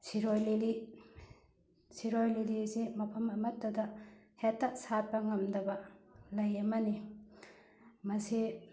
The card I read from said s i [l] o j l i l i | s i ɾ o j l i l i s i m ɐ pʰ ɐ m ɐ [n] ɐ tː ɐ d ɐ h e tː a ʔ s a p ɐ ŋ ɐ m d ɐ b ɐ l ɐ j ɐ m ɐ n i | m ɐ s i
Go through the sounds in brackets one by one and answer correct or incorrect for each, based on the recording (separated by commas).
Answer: incorrect, incorrect